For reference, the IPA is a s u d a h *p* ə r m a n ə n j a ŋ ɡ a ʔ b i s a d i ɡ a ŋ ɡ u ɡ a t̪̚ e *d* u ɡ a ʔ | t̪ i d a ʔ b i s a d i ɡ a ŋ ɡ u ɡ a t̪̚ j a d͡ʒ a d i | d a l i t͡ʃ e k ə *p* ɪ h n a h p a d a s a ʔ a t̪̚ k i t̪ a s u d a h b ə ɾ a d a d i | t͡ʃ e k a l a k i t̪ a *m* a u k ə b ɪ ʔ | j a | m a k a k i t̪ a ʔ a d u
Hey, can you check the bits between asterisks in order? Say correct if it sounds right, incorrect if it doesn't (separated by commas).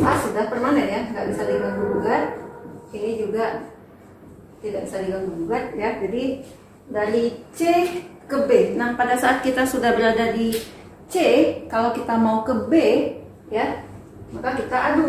correct, incorrect, incorrect, correct